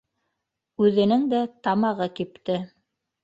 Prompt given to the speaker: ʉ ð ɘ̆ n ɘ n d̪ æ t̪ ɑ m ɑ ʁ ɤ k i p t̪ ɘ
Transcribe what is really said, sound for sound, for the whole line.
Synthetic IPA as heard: ʉ ð ɘ̆ n ɘ ŋ d̪ æ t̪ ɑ m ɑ ʁ ɤ k i p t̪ ɘ